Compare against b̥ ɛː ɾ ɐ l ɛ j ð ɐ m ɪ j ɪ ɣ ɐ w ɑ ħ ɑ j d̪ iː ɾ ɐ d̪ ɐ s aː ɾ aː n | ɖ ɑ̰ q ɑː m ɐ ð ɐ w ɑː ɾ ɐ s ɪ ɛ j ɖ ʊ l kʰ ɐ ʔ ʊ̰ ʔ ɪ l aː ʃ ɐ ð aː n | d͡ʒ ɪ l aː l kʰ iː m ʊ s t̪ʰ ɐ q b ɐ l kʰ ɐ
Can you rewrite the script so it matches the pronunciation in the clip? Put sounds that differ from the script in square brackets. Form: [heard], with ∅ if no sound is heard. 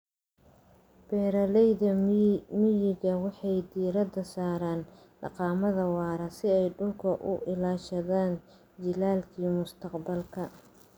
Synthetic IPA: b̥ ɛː ɾ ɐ l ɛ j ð ɐ m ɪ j ɪ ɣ ɐ w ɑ ħ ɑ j d̪ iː ɾ ɐ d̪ ɐ s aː ɾ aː n | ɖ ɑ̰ q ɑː m ɐ ð ɐ w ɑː ɾ ɐ s ɪ ɛ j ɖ ʊ l kʰ ɐ ʔ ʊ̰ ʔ ɪ l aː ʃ ɐ ð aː n | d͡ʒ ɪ l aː l kʰ iː m ʊ s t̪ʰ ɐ q b ɐ l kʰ ɐ